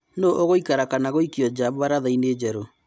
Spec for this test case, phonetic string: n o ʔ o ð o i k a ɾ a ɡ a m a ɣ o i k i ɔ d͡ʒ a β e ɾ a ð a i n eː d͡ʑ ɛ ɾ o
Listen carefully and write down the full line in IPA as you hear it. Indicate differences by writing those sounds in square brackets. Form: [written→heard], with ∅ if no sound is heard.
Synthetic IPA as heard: n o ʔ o [ð→ɣ] o i k a ɾ a [ɡ→k] a [m→n] a ɣ o i k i ɔ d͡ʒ a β [e→a] ɾ a ð a i n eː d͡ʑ ɛ ɾ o